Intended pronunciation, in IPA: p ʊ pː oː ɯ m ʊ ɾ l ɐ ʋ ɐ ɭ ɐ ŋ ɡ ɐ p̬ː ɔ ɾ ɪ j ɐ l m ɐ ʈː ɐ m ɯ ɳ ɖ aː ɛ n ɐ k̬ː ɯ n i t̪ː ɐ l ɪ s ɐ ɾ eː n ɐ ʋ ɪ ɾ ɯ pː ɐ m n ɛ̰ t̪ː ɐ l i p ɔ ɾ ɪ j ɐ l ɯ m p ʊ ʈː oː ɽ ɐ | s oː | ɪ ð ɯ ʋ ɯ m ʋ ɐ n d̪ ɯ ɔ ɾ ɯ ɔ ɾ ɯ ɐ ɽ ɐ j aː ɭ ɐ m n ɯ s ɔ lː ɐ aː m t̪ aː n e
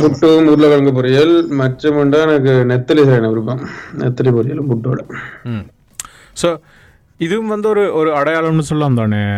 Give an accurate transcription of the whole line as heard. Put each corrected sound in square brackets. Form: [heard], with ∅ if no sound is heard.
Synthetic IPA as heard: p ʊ [ʈː] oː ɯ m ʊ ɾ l ɐ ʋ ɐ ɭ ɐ ŋ ɡ ɐ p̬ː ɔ ɾ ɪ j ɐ l m ɐ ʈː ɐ m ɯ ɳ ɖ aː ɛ n ɐ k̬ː ɯ n [ɛ] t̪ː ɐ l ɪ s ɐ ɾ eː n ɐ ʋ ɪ ɾ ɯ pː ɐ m n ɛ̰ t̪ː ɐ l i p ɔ ɾ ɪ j ɐ l ɯ m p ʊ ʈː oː ɽ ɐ | s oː | ɪ ð ɯ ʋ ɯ m ʋ ɐ n d̪ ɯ ɔ ɾ ɯ ɔ ɾ ɯ ɐ ɽ ɐ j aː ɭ ɐ m n ɯ s ɔ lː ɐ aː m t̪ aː n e